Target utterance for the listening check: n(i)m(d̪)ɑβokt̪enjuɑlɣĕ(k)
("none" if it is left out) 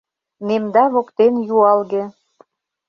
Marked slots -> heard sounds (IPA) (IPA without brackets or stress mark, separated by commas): e, d̪, none